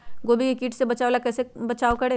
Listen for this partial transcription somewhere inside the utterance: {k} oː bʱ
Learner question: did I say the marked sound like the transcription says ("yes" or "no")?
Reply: no